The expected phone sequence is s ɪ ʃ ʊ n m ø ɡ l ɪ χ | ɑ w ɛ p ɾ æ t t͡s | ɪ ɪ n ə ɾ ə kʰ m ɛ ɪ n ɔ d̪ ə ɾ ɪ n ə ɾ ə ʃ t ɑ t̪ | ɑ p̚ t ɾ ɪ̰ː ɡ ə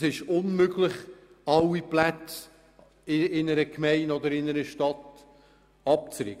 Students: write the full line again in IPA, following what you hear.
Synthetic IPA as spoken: s ɪ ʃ ʊ n m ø ɡ l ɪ χ | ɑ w i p l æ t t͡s | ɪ ɪ n ə ɾ ə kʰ m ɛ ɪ n ɔ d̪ ə ɾ ɪ n ə ɾ ə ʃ t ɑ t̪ | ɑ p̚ t͡s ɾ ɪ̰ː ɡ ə